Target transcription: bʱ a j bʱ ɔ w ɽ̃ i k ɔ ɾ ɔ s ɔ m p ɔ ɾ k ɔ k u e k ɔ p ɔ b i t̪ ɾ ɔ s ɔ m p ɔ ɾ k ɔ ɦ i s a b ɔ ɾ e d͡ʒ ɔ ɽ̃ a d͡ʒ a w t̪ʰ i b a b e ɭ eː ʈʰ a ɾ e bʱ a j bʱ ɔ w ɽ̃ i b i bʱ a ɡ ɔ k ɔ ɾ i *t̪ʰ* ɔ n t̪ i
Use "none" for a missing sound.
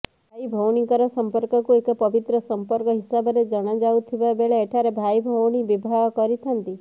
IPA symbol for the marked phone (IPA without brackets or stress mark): t̪ʰ